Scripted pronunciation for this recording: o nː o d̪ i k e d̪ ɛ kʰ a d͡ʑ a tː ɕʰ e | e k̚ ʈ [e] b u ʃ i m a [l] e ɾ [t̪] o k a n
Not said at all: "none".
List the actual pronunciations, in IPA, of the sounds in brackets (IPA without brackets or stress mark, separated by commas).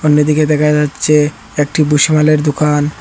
i, l, d̪